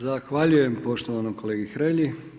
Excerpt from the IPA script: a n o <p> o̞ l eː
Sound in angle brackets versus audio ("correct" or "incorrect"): incorrect